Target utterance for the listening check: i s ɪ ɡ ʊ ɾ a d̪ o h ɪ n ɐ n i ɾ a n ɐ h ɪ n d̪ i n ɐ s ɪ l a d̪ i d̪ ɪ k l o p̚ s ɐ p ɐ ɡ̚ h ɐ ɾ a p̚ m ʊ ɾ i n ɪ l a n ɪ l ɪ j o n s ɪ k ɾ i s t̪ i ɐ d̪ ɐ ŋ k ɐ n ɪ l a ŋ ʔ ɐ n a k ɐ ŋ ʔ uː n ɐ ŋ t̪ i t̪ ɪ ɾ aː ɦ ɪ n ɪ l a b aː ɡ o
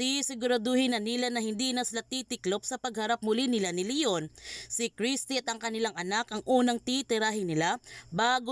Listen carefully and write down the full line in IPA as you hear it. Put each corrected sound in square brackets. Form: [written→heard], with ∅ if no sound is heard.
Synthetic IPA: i s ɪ ɡ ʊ ɾ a d̪ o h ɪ n ɐ n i [ɾ→l] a n ɐ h ɪ n d̪ i n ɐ s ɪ l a [d̪→t̪] i [d̪→t̪] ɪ k l o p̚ s ɐ p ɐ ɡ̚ h ɐ ɾ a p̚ m ʊ [ɾ→l] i n ɪ l a n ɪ l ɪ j o n s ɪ k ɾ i s t̪ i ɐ [d̪→t̪] ɐ ŋ k ɐ n ɪ l a ŋ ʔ ɐ n a k ɐ ŋ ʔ uː n ɐ ŋ t̪ i t̪ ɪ ɾ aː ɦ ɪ n ɪ l a b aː ɡ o